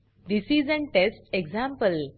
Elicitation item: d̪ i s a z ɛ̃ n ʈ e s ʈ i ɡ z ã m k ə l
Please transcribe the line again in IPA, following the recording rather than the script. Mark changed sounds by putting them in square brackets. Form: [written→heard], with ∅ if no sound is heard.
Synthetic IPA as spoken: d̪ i s [a→i] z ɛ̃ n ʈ e s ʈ [i→e] ɡ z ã m [k→p] ə l